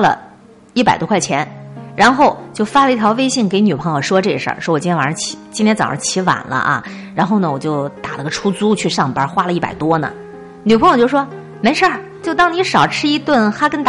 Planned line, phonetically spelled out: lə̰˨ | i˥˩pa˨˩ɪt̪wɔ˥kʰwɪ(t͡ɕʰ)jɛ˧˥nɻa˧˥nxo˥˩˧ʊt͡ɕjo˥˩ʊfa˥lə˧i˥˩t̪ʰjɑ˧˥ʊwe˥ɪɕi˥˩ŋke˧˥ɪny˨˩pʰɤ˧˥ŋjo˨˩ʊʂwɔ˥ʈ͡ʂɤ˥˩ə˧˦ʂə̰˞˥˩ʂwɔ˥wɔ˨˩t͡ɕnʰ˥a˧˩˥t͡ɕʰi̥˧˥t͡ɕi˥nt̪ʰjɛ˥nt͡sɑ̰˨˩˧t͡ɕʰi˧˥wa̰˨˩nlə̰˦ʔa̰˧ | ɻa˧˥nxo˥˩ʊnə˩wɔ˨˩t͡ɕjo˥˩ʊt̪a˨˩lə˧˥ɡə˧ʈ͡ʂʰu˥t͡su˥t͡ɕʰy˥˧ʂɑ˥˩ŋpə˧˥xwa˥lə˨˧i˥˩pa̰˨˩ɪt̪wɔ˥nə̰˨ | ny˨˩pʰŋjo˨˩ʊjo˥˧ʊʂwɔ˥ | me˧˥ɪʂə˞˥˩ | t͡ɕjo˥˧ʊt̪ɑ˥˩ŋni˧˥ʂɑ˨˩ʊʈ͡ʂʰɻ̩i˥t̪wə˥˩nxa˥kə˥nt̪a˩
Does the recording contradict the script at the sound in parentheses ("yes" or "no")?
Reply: no